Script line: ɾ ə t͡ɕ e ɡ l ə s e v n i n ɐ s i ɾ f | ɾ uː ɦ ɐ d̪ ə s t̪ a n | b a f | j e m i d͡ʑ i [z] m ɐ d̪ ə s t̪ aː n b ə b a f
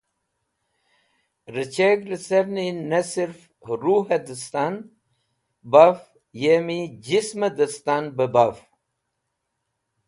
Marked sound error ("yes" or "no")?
yes